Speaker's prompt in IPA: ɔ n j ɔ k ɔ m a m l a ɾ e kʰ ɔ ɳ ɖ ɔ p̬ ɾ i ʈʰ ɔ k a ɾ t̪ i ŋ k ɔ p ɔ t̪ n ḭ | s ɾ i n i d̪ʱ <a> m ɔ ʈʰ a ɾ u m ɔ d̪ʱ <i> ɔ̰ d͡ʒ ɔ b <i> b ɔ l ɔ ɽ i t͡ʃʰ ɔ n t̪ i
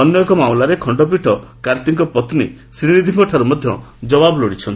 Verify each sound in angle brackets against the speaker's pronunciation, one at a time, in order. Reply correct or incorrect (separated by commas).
incorrect, incorrect, incorrect